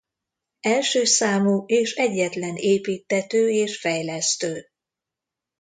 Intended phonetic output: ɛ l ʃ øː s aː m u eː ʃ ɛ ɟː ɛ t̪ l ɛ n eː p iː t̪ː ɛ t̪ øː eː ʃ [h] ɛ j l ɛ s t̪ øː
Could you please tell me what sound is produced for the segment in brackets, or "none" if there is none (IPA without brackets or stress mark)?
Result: f